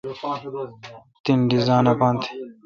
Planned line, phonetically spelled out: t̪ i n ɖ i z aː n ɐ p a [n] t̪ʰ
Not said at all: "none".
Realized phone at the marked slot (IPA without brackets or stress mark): n